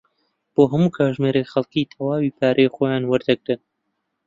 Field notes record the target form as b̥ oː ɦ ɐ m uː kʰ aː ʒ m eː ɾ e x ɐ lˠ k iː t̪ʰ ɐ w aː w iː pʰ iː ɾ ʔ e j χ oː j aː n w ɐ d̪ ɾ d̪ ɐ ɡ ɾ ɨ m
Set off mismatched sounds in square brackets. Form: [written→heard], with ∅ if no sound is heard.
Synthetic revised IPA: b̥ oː ɦ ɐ m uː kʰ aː ʒ m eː ɾ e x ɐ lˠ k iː t̪ʰ ɐ w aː w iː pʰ [iː→aː] ɾ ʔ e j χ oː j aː n w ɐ [d̪→∅] ɾ d̪ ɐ ɡ ɾ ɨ [m→n]